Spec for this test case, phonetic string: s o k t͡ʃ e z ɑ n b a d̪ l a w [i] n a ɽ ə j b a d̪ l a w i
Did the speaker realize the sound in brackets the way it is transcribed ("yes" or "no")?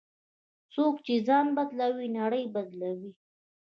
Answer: yes